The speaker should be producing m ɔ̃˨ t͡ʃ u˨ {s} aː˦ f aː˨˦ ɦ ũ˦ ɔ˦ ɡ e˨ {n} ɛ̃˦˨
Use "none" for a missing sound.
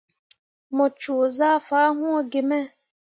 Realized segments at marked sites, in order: z, m

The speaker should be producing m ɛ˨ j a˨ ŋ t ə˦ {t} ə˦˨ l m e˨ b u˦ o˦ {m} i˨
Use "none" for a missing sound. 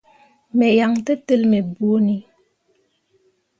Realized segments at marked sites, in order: t, n

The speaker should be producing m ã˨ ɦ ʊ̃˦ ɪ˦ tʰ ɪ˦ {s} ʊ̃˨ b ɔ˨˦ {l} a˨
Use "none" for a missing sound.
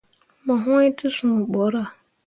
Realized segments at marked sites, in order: s, ɾ

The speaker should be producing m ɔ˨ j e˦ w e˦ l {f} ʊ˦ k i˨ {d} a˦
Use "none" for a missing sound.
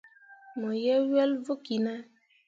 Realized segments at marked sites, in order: v, n

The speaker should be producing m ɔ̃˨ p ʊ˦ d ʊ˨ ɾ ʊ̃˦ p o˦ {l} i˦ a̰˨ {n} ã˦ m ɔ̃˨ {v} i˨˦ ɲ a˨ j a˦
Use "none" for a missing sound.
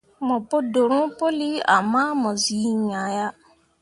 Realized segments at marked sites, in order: l, m, z

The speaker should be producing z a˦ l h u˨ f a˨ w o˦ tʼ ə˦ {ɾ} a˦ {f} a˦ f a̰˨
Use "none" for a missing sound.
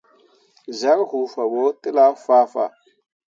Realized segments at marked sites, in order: l, f

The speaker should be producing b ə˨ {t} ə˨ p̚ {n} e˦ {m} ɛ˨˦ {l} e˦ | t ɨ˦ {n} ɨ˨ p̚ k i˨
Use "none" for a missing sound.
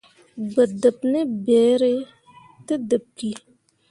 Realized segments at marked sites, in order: d, n, b, ɾ, d

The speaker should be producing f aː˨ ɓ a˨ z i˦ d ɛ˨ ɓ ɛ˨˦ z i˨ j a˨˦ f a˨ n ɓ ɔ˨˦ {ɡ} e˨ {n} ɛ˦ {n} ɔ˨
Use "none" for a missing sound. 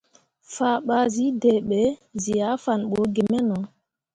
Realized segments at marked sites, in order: ɡ, m, n

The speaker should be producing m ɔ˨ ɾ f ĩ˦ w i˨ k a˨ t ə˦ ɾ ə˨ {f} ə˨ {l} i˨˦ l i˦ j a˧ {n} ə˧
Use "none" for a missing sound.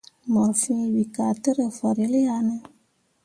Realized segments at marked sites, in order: f, ɾ, n

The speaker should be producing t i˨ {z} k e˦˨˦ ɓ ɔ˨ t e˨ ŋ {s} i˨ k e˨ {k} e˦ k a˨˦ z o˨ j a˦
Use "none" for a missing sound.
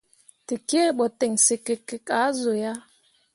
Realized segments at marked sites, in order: none, s, k

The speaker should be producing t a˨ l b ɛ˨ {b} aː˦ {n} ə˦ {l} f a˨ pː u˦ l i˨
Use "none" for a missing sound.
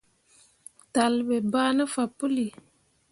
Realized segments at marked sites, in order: b, n, none

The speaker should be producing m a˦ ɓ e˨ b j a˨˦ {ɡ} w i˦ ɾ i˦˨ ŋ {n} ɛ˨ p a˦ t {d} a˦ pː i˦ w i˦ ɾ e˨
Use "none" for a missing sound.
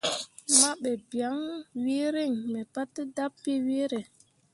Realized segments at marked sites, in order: ŋ, m, d

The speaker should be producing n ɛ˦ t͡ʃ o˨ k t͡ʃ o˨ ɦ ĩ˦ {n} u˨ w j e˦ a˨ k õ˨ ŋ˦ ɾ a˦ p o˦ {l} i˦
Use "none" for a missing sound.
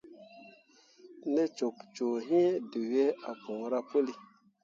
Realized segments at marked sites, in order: d, l

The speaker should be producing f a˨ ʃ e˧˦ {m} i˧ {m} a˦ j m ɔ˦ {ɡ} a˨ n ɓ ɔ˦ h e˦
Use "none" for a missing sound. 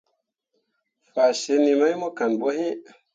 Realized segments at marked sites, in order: n, m, k

